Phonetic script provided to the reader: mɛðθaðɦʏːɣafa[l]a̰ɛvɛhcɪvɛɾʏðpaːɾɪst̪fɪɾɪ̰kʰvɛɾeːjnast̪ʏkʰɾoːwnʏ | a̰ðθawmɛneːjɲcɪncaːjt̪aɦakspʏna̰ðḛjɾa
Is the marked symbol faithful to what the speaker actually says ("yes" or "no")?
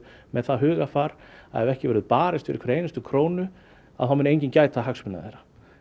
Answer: no